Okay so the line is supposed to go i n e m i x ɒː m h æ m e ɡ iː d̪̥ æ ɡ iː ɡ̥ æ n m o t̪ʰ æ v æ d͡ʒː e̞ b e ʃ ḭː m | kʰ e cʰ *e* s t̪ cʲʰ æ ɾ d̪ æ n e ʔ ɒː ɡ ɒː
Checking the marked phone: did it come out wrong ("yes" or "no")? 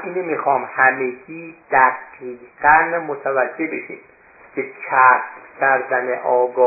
yes